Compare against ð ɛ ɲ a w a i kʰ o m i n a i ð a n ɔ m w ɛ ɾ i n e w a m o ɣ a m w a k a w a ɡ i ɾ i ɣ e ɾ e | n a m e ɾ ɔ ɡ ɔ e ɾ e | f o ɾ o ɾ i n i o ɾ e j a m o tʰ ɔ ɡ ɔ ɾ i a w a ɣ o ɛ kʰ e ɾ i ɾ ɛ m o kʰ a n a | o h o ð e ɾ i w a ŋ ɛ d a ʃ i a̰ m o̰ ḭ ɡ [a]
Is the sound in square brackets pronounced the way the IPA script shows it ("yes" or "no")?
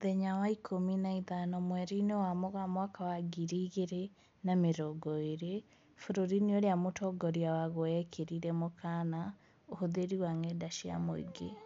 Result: no